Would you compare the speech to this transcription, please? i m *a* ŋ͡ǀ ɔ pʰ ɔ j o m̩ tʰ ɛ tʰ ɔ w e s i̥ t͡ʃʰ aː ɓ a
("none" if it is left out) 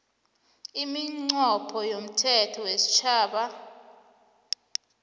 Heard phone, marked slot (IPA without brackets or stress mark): i